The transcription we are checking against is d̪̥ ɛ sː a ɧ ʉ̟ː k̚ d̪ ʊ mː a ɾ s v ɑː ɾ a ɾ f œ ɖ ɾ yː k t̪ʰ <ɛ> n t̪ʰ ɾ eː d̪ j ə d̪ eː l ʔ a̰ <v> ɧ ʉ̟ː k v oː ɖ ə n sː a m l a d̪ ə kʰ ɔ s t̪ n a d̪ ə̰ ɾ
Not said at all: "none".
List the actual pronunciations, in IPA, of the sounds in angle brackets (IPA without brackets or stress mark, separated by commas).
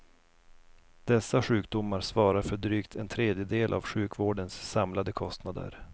ɛ, v